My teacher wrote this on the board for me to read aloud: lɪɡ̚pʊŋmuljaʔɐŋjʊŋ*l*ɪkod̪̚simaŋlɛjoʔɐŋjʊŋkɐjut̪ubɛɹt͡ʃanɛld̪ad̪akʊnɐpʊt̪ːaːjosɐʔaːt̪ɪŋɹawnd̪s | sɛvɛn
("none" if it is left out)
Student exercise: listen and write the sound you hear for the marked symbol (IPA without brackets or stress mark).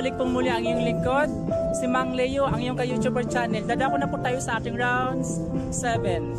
l